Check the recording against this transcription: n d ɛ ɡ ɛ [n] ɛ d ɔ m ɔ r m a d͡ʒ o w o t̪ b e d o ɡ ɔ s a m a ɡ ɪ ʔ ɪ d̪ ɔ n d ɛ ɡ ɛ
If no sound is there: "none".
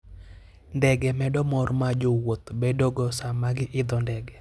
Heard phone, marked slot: m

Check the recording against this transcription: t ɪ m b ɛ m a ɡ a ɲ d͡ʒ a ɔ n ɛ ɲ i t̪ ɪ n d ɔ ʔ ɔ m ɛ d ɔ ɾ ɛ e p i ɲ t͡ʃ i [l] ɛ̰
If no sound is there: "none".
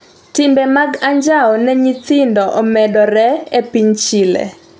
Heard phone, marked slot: l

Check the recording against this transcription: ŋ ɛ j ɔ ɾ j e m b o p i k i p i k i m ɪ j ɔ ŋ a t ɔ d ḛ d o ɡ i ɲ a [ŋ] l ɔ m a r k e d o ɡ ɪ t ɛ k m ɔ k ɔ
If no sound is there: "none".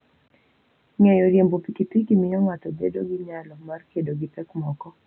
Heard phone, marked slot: none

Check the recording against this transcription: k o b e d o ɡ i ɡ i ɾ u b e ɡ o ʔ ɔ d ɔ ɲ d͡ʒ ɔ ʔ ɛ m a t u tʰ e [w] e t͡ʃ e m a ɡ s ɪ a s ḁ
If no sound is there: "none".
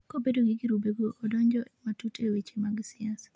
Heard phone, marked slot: w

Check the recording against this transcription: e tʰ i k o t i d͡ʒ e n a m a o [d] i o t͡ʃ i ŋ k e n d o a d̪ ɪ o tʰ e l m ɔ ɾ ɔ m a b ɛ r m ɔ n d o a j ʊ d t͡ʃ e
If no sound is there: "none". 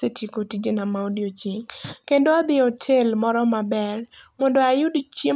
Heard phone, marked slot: d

